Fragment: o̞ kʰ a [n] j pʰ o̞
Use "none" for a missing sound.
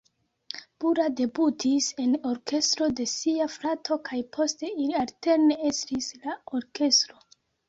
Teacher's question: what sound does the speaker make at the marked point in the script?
none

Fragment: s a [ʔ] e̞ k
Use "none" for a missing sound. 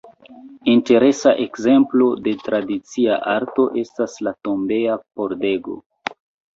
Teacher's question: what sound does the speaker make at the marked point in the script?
ʔ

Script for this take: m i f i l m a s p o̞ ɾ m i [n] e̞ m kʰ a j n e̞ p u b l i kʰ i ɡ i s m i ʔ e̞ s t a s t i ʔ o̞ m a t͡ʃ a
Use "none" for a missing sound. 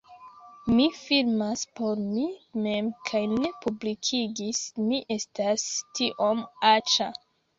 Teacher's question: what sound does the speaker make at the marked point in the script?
m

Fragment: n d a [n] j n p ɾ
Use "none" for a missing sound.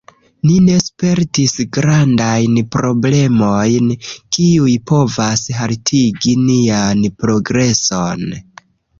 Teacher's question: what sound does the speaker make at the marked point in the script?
none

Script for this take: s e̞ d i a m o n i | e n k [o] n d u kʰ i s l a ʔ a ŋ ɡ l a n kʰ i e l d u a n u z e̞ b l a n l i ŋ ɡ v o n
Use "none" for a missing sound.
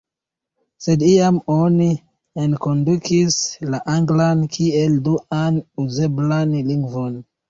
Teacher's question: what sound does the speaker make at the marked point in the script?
o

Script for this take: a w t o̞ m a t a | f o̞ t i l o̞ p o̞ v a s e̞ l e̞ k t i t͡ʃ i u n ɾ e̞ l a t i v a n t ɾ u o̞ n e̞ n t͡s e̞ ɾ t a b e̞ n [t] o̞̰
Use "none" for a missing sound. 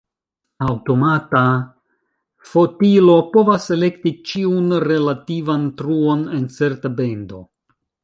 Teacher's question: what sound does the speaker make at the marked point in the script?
d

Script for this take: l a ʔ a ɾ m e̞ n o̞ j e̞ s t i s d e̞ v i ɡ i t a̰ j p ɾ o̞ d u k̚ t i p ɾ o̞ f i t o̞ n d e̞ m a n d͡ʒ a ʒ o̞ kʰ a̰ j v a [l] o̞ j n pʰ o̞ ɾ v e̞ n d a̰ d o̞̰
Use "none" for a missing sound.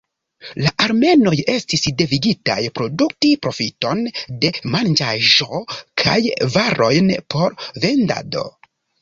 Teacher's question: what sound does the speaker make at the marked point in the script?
ɾ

